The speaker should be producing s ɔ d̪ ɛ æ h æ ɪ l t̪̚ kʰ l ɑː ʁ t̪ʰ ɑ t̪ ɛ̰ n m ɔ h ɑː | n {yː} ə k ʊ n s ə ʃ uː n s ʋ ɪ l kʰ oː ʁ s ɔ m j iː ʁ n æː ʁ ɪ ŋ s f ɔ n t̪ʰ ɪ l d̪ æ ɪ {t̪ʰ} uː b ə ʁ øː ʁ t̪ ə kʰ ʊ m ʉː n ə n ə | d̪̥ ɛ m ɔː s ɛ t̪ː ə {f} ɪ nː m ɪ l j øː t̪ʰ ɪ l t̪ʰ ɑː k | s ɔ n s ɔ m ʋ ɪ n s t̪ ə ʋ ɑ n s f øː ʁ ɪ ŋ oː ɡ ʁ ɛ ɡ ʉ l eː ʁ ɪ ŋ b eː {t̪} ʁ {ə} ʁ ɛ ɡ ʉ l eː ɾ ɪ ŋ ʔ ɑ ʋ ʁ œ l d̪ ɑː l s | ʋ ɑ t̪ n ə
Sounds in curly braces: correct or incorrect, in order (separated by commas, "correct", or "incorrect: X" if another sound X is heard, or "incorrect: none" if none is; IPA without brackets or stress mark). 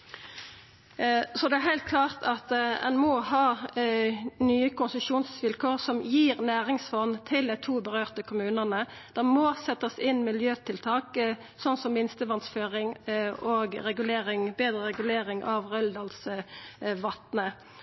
correct, correct, incorrect: s, incorrect: d̪, correct